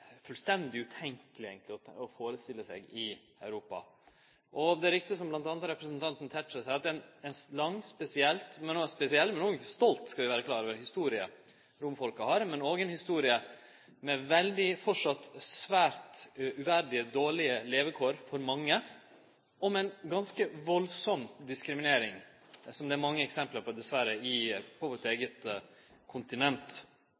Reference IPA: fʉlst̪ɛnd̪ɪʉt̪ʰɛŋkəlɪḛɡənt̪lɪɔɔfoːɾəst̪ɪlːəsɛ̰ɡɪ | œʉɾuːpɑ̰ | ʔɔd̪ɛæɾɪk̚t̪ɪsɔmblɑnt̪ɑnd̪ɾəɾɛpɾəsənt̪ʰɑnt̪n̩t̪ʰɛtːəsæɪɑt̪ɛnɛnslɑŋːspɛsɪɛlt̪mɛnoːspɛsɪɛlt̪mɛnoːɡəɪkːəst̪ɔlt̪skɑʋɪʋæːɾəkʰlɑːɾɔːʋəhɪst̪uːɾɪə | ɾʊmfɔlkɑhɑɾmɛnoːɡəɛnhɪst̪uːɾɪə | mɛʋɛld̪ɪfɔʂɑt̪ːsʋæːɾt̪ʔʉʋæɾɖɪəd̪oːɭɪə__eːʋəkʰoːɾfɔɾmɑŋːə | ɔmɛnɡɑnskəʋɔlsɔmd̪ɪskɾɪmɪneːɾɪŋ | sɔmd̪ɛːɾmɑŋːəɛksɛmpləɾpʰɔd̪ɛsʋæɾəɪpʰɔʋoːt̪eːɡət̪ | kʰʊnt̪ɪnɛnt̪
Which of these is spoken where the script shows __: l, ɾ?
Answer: l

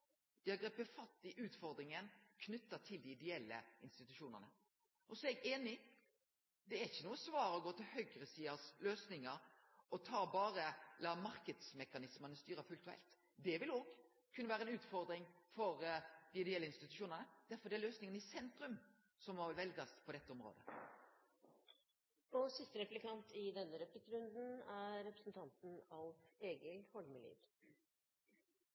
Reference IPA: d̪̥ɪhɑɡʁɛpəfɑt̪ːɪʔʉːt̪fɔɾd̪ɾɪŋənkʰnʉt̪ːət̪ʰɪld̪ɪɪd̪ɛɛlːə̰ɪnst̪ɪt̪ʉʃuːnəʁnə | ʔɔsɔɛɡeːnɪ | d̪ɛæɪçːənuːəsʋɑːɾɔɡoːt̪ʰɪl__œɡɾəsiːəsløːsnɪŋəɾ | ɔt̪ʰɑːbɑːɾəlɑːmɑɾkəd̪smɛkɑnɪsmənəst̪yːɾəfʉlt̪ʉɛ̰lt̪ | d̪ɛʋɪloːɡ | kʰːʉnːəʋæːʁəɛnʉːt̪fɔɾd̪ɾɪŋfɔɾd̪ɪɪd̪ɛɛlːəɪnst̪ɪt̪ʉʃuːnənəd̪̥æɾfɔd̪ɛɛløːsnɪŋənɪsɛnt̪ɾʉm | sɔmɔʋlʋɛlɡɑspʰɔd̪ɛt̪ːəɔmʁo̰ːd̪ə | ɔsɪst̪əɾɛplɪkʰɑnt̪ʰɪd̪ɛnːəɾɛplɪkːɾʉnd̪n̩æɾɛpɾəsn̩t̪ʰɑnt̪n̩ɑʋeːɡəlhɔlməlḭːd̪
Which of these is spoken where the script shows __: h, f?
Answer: h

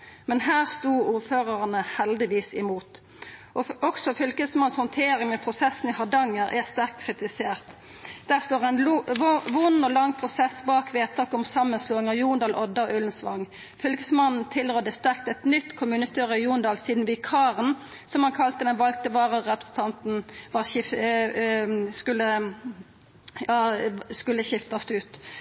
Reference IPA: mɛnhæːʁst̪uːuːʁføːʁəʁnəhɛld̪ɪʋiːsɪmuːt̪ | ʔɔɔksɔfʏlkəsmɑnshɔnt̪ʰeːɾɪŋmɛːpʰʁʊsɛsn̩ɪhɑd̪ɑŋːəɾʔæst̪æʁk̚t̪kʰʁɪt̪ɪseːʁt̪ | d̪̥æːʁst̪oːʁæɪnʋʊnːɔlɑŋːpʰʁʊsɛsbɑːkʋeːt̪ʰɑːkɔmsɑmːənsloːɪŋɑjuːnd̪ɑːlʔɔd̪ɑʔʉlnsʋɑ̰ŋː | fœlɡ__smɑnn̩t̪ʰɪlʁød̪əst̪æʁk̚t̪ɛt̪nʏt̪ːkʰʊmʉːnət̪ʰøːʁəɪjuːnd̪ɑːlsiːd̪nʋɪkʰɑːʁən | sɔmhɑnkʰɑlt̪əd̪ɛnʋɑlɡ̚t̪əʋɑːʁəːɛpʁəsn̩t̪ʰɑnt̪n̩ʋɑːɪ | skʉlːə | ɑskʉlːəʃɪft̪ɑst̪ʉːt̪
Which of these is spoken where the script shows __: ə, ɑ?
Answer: ə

